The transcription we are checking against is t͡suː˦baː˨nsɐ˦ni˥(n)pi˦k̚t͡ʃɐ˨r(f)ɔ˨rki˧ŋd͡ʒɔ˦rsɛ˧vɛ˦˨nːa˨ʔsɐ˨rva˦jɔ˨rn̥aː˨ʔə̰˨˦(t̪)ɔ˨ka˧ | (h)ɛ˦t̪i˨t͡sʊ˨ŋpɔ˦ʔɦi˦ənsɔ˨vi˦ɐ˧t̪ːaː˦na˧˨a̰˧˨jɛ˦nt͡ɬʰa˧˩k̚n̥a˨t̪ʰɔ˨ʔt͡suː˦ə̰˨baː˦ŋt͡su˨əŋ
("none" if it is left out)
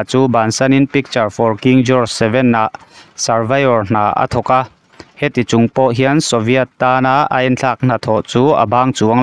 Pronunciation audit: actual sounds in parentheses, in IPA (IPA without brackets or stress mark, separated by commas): n, f, t̪ʰ, h